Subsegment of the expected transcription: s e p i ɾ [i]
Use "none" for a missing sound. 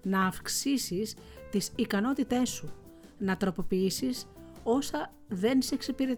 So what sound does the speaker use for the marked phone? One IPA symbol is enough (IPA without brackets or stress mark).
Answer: e